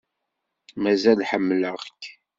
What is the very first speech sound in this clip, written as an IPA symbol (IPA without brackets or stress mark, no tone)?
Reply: m